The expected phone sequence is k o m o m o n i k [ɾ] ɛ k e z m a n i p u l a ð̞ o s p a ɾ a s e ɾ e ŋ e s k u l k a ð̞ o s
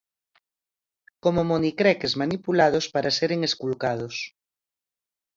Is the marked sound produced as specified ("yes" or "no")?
yes